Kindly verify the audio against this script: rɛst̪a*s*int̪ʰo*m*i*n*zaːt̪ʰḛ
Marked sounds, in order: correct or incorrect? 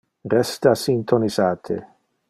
correct, incorrect, incorrect

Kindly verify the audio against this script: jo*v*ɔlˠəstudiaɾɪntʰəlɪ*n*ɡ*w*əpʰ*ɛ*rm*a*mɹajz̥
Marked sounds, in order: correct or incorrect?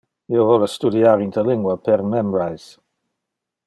correct, incorrect, correct, correct, incorrect

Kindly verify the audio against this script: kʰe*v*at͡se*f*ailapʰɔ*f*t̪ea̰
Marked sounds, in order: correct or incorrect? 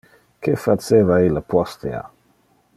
incorrect, incorrect, incorrect

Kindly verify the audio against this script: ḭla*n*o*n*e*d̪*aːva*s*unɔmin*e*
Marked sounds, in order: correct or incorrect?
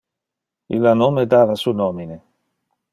correct, incorrect, correct, correct, correct

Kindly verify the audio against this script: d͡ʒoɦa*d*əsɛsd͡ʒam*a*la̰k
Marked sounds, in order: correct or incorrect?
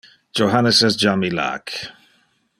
incorrect, incorrect

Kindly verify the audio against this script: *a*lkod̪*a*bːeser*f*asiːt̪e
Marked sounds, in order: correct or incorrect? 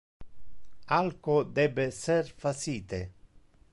correct, incorrect, correct

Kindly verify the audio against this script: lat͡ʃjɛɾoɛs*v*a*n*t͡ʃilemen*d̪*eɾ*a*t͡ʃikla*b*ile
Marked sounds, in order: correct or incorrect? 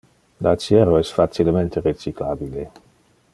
incorrect, incorrect, incorrect, incorrect, correct

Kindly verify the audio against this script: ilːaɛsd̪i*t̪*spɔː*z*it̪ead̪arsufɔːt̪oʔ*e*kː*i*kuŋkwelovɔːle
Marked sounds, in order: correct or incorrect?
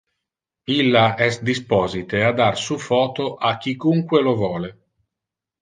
incorrect, correct, incorrect, correct

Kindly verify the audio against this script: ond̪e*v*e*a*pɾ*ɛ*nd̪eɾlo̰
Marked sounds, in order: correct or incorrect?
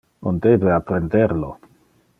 incorrect, correct, incorrect

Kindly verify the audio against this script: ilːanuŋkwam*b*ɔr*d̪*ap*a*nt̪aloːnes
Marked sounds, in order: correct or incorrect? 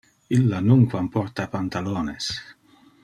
incorrect, incorrect, correct

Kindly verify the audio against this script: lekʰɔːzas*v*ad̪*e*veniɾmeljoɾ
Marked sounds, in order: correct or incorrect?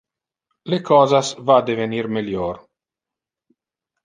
correct, correct

